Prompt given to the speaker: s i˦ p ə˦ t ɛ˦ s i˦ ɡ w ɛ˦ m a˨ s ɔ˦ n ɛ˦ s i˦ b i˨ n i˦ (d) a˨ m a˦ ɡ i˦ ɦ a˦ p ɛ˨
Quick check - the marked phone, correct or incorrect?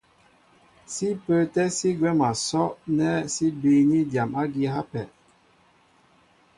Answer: correct